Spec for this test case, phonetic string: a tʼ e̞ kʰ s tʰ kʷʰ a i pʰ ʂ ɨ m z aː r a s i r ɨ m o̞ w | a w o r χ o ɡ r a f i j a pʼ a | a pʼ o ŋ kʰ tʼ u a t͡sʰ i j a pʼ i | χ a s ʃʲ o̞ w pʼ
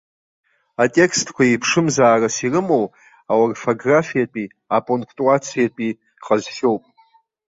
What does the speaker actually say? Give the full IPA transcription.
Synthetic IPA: a tʼ e̞ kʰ s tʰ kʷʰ a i pʰ ʂ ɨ m z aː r a s i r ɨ m o̞ w | a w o r f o ɡ r a f i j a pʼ i | a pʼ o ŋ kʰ tʼ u a t͡sʰ i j a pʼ i | χ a z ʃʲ o̞ w pʼ

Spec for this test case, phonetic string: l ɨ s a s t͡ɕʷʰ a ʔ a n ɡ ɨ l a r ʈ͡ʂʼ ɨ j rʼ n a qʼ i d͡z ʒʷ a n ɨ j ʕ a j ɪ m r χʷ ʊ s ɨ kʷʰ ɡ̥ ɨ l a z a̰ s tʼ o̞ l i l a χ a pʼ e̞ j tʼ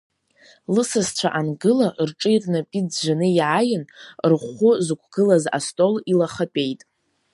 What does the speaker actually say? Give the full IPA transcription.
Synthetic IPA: l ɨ s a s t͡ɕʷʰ a ʔ a n ɡ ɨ l a r ʈ͡ʂʼ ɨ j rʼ n a pʼ i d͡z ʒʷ a n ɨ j ʕ a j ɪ n r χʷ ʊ z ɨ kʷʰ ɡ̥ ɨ l a z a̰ s tʼ o̞ l i l a χ a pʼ e̞ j tʼ

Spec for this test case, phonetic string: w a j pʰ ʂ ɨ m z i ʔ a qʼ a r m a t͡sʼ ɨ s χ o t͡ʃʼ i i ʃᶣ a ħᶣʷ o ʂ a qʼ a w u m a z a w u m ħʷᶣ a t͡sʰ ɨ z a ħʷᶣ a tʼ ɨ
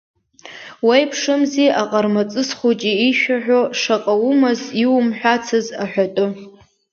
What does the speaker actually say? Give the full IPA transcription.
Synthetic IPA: w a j pʰ ʂ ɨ m z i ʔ a qʼ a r m a t͡sʼ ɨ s χ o t͡ʃʼ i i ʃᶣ a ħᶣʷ o ʂ a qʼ a w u m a z i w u m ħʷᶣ a t͡sʰ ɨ z a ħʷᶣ a tʼ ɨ

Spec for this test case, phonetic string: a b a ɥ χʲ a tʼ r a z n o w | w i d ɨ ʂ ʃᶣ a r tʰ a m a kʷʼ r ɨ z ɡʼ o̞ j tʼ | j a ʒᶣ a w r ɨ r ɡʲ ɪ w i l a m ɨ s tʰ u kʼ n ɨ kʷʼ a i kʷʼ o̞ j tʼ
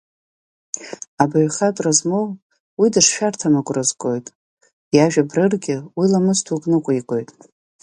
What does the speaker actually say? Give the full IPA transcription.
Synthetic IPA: a b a ɥ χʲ a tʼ r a z m o w | w i d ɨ ʂ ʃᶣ a r tʰ a m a kʷʼ r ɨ z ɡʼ o̞ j tʼ | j a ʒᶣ a b r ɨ r ɡʲ ɪ w i l a m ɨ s tʰ u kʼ n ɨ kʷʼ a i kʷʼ o̞ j tʼ

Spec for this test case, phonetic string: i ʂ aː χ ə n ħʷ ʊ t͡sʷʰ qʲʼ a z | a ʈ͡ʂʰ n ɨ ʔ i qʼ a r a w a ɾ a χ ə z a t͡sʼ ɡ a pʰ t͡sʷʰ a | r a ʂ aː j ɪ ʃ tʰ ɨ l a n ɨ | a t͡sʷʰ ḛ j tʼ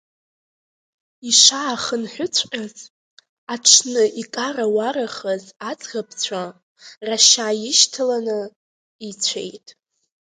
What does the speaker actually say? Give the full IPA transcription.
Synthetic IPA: i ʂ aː χ ə n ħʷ ʊ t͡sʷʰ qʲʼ a z | a ʈ͡ʂʰ n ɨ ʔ i kʼ a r a w a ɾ a χ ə z a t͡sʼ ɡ a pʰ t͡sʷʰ a | r a ʃ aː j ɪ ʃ tʰ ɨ l a n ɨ | i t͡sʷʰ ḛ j tʼ

